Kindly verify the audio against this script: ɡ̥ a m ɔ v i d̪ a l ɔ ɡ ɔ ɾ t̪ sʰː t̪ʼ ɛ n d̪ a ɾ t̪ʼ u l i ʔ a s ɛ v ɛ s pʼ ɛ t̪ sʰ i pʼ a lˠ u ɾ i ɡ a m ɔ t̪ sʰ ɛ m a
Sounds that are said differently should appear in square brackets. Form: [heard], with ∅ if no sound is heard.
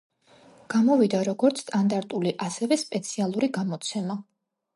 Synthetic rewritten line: ɡ̥ a m ɔ v i d̪ a [ɾ] ɔ ɡ ɔ ɾ t̪ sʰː t̪ʼ [a] n d̪ a ɾ t̪ʼ u l i ʔ a s ɛ v ɛ s pʼ ɛ t̪ sʰ i [∅] a lˠ u ɾ i ɡ a m ɔ t̪ sʰ ɛ m a